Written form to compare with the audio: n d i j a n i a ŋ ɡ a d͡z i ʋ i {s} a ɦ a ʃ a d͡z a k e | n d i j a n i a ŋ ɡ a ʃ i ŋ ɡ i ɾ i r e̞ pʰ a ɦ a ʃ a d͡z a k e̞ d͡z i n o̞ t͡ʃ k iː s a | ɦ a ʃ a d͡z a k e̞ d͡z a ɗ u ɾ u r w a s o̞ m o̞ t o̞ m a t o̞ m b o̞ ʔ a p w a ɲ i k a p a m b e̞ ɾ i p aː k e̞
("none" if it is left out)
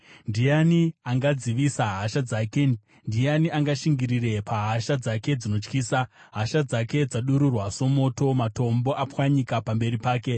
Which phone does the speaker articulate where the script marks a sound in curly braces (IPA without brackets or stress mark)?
s